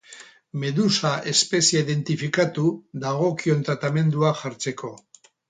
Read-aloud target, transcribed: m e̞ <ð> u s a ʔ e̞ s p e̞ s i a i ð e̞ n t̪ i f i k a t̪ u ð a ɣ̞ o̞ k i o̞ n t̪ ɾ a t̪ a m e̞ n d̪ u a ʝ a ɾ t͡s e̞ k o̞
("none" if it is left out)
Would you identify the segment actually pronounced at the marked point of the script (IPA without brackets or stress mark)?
ð